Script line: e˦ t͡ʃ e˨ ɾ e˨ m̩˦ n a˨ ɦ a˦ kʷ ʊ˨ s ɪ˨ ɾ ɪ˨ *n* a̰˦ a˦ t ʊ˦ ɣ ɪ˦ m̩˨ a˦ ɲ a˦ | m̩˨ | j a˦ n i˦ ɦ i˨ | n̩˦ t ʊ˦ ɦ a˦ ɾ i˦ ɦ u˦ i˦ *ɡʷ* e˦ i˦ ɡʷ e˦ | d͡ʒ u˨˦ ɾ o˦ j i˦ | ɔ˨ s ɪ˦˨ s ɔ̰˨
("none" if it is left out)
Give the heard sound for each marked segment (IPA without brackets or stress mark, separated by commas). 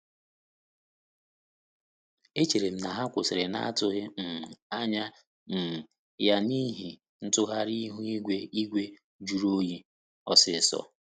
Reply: n, ɡʷ